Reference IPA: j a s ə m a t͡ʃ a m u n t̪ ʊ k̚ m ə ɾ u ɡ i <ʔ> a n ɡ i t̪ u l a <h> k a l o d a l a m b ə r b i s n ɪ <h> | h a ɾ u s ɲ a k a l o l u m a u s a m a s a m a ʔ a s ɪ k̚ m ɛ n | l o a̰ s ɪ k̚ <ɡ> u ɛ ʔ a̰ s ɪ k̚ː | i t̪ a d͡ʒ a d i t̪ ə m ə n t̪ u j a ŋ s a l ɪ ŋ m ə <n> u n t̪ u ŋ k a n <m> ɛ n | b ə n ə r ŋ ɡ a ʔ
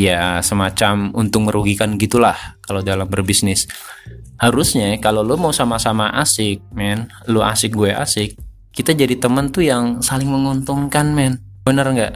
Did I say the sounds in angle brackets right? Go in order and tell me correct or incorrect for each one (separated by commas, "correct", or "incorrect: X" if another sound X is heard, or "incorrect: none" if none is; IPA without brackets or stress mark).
incorrect: k, correct, incorrect: s, correct, incorrect: ŋ, correct